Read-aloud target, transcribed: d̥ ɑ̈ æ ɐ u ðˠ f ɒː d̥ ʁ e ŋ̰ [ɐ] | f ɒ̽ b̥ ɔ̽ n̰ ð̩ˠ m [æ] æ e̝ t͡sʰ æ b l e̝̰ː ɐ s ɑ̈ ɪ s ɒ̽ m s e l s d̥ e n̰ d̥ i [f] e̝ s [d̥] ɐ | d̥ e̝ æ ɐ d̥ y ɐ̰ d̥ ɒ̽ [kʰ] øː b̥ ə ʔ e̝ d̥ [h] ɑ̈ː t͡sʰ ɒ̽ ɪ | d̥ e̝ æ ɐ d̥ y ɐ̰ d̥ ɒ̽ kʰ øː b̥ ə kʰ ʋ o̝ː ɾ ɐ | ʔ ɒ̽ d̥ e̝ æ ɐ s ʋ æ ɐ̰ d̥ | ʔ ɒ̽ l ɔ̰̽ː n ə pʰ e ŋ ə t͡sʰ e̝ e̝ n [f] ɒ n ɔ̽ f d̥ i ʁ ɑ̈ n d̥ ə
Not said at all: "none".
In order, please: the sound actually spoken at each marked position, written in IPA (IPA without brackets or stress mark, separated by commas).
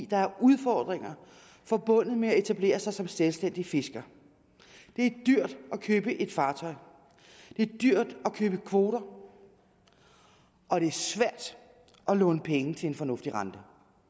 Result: ɐ, e, f, ɡ̥, kʰ, f, f